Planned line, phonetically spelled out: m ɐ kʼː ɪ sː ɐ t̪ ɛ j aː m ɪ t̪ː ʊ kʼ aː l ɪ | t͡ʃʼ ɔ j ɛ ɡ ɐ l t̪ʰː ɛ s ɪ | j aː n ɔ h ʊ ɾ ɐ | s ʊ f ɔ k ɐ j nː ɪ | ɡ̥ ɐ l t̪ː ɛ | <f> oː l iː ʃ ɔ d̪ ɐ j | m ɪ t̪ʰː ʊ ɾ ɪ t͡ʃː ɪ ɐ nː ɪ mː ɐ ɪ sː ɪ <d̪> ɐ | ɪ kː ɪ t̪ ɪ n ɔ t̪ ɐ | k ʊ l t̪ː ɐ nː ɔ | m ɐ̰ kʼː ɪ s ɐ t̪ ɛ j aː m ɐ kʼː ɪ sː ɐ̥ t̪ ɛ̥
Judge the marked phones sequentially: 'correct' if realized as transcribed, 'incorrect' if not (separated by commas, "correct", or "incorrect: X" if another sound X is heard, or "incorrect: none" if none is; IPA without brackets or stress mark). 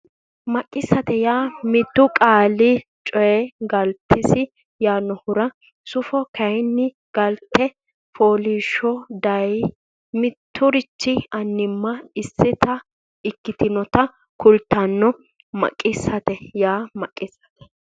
correct, incorrect: t̪